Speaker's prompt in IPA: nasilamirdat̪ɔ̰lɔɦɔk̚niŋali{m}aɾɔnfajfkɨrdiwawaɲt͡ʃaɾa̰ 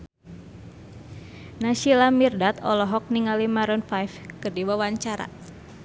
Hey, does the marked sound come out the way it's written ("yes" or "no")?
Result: yes